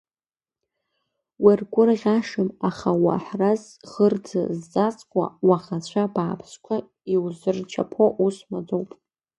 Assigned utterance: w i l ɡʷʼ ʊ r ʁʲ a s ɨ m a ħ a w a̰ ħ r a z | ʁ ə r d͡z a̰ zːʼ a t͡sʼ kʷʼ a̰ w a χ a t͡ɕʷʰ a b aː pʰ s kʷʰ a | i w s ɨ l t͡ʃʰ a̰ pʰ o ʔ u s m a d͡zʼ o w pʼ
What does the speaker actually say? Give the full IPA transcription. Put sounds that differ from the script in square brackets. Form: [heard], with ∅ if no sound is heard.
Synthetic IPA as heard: w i [r] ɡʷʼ ʊ r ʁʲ a [ʂ] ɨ m a [χ] a w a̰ ħ r a z | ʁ ə r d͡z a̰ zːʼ a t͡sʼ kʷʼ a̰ w a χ a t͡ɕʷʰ a b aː pʰ s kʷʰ a | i w [z] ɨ [r] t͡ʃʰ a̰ pʰ o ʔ u s m a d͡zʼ o w pʼ

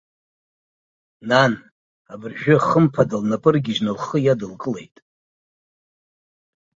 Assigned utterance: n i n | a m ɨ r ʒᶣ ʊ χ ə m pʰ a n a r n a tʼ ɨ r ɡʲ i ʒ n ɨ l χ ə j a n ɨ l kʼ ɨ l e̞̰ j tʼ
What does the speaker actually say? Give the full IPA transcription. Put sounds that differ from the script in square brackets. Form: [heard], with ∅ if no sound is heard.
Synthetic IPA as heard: n [a] n | a [b] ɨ r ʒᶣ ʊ χ ə m pʰ a [d] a [l] n a [pʼ] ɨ r ɡʲ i ʒ n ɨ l χ ə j a [d] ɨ l kʼ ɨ l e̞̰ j tʼ

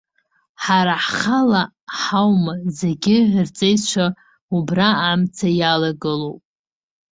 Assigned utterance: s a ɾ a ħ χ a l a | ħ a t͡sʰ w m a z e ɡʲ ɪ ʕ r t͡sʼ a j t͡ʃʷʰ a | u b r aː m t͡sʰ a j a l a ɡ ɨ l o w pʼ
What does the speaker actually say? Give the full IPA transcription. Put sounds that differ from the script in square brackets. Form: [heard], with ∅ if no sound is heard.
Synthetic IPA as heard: [ħ] a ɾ a ħ χ a l a | ħ a [∅] w m a z e ɡʲ ɪ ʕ r t͡sʼ [e] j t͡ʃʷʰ a | u b r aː m t͡sʰ a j a l a ɡ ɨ l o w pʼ

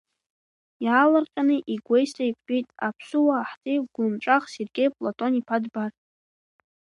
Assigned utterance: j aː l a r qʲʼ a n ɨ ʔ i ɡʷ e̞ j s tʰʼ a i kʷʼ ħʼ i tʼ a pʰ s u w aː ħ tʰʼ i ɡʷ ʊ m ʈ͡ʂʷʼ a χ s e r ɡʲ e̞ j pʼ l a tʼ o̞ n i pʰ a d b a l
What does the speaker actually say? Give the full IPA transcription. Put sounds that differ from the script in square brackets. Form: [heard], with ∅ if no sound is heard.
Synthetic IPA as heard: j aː l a r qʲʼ a n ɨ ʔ i ɡʷ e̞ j s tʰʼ a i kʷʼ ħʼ i tʼ a pʰ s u w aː ħ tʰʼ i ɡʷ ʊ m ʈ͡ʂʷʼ a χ s e r ɡʲ e̞ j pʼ l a tʼ o̞ n i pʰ a d b a [r]

